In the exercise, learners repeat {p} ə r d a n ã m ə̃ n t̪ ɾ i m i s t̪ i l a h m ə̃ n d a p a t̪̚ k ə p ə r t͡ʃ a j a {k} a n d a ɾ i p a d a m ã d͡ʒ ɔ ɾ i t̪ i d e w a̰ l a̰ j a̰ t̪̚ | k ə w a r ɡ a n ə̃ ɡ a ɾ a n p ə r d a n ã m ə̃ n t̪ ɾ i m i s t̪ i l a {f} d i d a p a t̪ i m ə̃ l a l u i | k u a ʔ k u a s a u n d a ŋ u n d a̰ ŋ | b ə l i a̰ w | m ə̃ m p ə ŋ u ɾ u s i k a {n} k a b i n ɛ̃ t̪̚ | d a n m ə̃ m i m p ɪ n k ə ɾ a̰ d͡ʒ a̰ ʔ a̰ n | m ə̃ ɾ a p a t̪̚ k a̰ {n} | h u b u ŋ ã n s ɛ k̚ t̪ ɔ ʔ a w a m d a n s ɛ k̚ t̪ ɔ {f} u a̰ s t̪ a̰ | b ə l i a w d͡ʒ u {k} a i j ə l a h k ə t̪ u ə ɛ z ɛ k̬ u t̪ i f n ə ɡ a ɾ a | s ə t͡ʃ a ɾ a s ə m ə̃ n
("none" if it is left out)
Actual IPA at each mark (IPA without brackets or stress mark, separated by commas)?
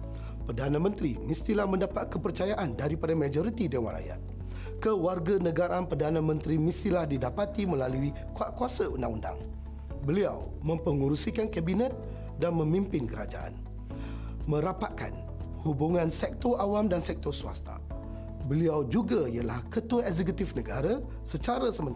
p, ʔ, h, n, n, s, ɡ